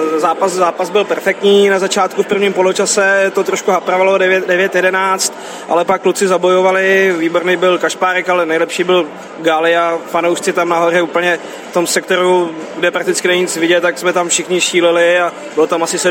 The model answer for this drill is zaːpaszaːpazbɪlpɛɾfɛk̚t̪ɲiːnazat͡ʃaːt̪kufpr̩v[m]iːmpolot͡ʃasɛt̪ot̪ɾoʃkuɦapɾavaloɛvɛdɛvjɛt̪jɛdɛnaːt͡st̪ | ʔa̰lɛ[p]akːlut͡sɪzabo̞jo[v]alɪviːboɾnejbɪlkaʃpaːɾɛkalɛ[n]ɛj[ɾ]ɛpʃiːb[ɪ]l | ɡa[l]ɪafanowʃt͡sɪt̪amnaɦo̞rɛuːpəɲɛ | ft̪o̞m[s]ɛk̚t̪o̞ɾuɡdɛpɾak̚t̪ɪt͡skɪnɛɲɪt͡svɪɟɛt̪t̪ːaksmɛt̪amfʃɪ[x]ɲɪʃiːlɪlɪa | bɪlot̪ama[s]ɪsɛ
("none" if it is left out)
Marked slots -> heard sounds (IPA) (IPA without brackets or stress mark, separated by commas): ɲ, p, v, n, l, ɪ, l, s, x, s